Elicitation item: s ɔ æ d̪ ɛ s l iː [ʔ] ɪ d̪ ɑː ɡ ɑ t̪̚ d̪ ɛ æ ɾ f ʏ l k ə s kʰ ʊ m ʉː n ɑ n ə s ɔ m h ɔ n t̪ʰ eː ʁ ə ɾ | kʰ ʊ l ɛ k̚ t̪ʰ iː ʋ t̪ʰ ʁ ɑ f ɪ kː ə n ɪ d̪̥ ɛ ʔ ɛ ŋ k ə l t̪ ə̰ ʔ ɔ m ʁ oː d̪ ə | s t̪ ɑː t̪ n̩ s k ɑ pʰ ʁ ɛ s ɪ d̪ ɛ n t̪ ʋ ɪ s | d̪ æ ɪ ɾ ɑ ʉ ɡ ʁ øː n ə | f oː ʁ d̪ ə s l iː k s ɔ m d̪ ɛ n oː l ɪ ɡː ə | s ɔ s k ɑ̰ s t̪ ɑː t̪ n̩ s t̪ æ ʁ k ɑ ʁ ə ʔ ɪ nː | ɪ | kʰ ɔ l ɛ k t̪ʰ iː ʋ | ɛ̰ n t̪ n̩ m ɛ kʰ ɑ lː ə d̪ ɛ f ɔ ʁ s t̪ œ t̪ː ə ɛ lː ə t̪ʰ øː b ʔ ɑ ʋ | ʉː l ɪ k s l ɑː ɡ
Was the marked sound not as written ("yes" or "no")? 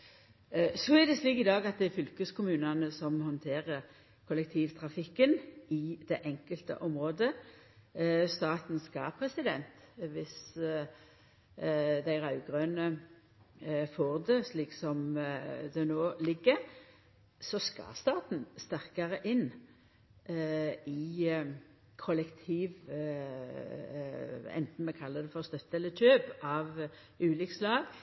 yes